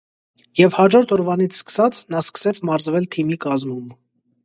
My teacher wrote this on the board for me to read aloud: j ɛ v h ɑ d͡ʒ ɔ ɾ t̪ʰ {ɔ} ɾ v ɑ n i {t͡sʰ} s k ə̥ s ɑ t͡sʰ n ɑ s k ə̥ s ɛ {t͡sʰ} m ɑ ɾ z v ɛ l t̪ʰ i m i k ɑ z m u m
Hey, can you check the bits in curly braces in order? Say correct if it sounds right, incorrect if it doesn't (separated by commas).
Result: correct, correct, correct